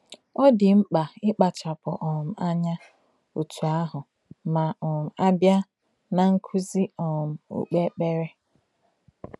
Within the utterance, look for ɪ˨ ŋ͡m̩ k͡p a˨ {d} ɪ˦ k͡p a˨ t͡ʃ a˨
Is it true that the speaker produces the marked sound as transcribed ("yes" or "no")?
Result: no